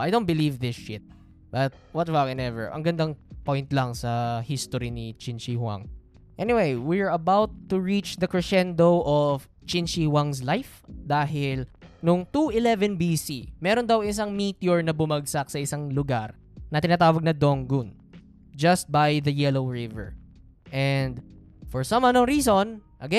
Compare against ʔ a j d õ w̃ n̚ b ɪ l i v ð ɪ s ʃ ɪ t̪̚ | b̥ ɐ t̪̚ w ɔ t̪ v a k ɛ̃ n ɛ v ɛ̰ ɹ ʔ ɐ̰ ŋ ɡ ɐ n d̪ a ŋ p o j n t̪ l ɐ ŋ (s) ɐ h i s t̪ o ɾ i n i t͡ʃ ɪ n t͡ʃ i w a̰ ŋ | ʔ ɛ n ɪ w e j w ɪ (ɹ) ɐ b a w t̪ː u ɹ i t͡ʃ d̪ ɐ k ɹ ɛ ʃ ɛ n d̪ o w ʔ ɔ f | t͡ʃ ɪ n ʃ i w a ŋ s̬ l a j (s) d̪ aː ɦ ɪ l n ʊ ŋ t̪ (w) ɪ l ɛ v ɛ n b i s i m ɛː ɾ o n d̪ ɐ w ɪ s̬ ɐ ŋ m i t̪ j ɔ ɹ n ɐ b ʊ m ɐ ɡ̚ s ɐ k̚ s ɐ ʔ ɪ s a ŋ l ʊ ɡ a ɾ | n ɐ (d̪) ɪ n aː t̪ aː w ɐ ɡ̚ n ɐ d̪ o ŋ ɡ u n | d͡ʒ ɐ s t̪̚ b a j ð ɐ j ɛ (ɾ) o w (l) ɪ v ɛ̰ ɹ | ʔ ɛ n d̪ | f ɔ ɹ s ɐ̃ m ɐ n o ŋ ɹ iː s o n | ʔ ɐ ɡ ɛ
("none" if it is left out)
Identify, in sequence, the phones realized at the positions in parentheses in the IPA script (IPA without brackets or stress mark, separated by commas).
s, ɹ, f, u, t̪, l, ɹ